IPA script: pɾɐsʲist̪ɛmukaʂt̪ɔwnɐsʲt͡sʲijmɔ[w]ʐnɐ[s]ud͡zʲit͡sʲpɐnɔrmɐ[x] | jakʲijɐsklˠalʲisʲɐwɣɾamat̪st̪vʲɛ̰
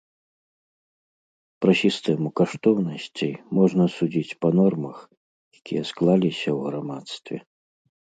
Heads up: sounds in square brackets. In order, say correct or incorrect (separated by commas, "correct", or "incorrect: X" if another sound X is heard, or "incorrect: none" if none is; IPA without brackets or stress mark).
incorrect: none, correct, correct